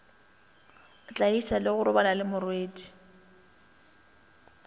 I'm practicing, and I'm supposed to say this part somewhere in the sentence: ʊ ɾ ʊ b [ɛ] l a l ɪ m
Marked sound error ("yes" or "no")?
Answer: yes